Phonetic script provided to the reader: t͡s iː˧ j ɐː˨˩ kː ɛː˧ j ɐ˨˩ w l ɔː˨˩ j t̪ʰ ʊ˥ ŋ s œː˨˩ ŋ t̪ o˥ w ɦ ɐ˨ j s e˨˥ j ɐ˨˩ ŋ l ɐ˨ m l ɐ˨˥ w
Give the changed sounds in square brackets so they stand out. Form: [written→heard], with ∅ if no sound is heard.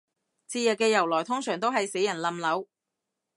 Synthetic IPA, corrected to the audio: t͡s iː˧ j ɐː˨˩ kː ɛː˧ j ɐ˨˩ w l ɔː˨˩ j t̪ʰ ʊ˥ ŋ s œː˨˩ ŋ t̪ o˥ w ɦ ɐ˨ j s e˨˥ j ɐ˨˩ [ŋ→n] l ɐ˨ m l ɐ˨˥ w

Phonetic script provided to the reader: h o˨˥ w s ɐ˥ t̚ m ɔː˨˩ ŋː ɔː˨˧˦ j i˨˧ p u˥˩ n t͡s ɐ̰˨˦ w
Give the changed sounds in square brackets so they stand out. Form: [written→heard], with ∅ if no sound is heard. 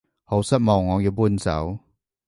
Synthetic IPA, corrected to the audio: h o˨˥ w s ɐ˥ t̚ m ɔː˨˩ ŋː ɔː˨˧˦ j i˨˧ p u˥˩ n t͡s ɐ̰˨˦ w

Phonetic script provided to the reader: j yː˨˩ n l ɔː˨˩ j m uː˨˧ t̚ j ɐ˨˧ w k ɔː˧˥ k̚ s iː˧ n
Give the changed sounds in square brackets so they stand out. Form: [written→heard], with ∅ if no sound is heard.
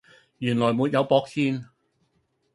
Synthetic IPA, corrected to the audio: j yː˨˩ n l ɔː˨˩ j m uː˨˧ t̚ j ɐ˨˧ w [k→p] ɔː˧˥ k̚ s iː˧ n

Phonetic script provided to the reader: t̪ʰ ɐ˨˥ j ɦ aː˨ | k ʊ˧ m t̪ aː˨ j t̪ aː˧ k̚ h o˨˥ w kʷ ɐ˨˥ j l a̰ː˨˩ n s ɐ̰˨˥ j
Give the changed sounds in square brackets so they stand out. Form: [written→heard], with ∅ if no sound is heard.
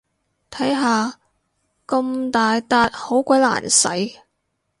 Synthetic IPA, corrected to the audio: t̪ʰ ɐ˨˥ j ɦ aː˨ | k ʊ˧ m t̪ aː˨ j t̪ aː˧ [k̚→t̚] h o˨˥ w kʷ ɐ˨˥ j l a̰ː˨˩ n s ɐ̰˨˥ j

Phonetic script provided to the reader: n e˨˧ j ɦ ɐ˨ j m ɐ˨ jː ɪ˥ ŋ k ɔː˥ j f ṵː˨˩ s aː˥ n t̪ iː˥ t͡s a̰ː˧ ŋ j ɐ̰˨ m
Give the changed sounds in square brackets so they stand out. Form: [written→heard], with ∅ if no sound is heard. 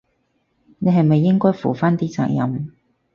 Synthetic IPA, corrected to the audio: n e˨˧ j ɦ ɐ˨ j m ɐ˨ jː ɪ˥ ŋ k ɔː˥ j f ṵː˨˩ [s→f] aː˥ n t̪ iː˥ t͡s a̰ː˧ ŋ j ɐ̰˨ m

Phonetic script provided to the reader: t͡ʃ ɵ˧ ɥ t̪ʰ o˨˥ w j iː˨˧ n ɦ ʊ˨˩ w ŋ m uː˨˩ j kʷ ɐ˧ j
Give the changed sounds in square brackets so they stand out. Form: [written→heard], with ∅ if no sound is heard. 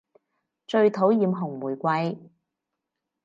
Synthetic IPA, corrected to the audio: t͡ʃ ɵ˧ ɥ t̪ʰ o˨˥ w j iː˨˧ [n→m] ɦ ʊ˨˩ [w→∅] ŋ m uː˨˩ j kʷ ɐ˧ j

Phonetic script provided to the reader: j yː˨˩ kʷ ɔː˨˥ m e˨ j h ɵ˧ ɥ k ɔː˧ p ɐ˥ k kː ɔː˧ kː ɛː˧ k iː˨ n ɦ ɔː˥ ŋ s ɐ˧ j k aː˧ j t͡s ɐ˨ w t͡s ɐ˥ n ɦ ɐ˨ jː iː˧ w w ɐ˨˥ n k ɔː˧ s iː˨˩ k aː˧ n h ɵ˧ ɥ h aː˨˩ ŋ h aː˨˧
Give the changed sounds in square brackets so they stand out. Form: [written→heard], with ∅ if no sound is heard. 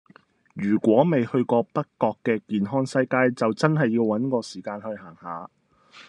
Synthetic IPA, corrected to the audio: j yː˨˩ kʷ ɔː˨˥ m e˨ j h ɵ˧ ɥ k ɔː˧ p ɐ˥ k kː ɔː˧ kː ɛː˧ k iː˨ n ɦ ɔː˥ ŋ s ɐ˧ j k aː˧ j t͡s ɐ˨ w t͡s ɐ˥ n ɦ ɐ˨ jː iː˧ w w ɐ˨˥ n k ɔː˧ s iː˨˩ k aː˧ n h ɵ˧ ɥ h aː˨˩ ŋ h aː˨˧

